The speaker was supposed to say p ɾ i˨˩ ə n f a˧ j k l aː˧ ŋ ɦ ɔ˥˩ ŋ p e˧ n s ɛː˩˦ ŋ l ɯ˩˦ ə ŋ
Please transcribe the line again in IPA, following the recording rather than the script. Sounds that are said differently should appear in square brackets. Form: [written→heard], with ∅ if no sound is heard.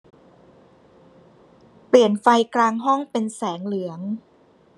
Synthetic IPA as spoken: p [ɾ→l] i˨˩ ə n f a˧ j k l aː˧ ŋ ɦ ɔ˥˩ ŋ p e˧ n s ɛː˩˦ ŋ l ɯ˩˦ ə ŋ

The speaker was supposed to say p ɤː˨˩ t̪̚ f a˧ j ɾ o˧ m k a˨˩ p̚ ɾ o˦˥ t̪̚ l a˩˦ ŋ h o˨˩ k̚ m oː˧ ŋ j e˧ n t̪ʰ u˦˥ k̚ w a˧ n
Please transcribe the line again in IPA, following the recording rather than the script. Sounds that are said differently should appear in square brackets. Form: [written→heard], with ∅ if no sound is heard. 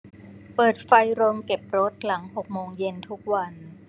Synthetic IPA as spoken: p ɤː˨˩ t̪̚ f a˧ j ɾ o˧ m k [a˨˩→e˨˩] p̚ ɾ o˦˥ t̪̚ l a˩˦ ŋ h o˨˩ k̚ m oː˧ ŋ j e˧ n t̪ʰ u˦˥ k̚ w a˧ n

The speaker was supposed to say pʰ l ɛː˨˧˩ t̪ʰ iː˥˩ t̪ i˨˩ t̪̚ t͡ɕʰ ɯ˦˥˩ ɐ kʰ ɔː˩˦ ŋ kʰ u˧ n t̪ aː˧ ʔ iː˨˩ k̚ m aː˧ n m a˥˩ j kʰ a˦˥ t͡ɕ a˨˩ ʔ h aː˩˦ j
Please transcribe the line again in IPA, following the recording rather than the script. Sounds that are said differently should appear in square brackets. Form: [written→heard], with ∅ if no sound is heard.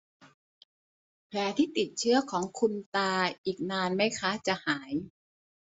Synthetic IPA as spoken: pʰ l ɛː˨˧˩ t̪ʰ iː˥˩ t̪ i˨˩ t̪̚ t͡ɕʰ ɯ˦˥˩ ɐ kʰ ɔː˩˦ ŋ kʰ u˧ n t̪ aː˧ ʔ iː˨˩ k̚ [m→n] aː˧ n m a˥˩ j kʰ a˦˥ t͡ɕ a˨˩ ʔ h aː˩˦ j

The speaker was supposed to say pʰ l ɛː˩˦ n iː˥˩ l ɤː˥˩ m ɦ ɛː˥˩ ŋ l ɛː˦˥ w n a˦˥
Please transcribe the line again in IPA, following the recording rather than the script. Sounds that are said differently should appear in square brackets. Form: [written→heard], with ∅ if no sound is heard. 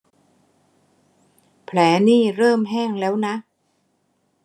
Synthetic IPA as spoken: pʰ l ɛː˩˦ n iː˥˩ [l→ɾ] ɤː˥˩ m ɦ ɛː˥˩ ŋ l ɛː˦˥ w n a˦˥

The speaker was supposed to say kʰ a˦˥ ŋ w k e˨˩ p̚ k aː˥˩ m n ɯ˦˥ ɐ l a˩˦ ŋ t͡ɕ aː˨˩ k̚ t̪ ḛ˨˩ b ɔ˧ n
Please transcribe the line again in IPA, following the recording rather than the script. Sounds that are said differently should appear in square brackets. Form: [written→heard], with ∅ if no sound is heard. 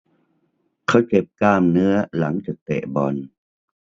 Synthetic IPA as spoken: kʰ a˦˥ [ŋ→∅] w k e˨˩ p̚ k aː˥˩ m n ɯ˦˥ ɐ l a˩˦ ŋ t͡ɕ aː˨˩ k̚ t̪ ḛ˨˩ b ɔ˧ n

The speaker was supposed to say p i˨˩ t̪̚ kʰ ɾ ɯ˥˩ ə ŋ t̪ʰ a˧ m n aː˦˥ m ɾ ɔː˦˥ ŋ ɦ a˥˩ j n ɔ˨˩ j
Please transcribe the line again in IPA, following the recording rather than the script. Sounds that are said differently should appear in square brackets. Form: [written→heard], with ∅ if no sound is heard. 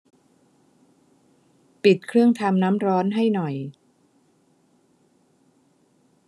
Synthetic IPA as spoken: p i˨˩ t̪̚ kʰ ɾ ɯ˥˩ ə ŋ t̪ʰ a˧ m n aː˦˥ m ɾ ɔː˦˥ [ŋ→n] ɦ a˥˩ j n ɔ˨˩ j

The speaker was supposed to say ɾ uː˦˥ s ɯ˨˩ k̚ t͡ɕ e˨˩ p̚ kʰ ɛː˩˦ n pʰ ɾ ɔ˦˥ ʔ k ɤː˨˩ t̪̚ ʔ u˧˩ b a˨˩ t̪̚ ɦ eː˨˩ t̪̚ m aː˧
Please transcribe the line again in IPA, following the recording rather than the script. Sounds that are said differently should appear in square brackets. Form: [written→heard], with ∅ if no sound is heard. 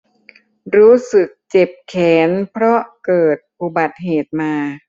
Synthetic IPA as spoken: ɾ uː˦˥ s ɯ˨˩ k̚ t͡ɕ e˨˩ p̚ kʰ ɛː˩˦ n pʰ ɾ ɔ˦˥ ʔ k ɤː˨˩ t̪̚ [ʔ→p] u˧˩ b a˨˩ t̪̚ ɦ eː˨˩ t̪̚ m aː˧

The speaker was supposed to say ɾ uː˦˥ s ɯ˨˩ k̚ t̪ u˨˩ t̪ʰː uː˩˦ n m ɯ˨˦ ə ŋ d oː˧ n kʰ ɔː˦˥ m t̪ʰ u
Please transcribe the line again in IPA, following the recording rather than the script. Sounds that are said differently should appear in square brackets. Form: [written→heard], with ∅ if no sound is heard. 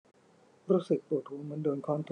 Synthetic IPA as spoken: ɾ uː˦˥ s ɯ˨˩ k̚ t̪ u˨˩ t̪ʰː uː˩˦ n m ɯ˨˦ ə [ŋ→n] d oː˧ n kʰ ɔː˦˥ [m→n] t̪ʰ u

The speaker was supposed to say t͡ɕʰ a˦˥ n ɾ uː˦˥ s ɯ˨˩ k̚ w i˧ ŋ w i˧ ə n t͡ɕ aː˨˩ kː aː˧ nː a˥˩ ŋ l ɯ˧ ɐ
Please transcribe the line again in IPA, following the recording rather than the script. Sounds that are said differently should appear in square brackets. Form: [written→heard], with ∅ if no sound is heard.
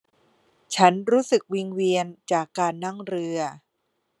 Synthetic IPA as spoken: t͡ɕʰ a˦˥ n ɾ uː˦˥ s ɯ˨˩ k̚ w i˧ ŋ w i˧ ə n t͡ɕ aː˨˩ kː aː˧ nː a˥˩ ŋ [l→ɾ] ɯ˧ ɐ

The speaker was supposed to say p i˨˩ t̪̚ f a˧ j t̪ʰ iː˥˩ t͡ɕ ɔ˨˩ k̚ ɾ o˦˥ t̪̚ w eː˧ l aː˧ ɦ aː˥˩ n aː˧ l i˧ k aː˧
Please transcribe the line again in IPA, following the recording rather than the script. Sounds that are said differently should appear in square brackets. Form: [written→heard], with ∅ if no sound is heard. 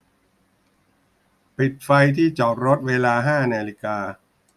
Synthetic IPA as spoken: p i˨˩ t̪̚ f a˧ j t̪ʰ iː˥˩ t͡ɕ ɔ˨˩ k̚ ɾ o˦˥ t̪̚ w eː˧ l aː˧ ɦ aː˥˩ n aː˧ l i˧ k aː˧

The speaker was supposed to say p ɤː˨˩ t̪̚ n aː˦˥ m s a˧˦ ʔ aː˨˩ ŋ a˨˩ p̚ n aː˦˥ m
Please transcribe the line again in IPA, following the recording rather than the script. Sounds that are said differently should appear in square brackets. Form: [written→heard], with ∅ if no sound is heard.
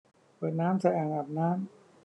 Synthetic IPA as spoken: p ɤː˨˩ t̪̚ n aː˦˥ m s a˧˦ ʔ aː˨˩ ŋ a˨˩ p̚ n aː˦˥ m

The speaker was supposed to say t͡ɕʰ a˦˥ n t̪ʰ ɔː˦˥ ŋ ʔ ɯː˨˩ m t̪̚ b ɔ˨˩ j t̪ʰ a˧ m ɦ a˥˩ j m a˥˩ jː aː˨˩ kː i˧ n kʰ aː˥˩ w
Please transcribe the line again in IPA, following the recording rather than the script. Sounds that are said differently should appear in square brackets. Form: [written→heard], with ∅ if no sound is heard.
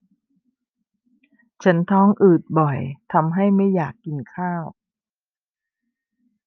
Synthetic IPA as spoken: t͡ɕʰ a˦˥ n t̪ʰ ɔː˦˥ ŋ ʔ ɯː˨˩ [m→∅] t̪̚ b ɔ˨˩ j t̪ʰ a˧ m ɦ a˥˩ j m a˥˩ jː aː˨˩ kː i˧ n kʰ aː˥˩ w

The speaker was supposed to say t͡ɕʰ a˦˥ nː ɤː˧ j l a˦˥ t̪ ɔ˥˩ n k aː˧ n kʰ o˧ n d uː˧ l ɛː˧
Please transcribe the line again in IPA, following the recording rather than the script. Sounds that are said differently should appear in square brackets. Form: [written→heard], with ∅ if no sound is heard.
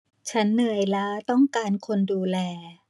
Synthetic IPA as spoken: t͡ɕʰ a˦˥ nː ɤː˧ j l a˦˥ t̪ ɔ˥˩ [n→ŋ] k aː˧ n kʰ o˧ n d uː˧ l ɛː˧

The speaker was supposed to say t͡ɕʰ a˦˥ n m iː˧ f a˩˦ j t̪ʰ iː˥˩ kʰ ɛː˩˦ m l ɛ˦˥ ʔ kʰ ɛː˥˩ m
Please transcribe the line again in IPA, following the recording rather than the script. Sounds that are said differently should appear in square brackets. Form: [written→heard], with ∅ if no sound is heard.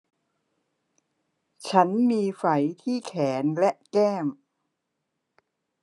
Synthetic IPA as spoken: t͡ɕʰ a˦˥ n m iː˧ f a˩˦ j t̪ʰ iː˥˩ kʰ ɛː˩˦ [m→n] l ɛ˦˥ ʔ [kʰ→k] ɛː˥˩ m

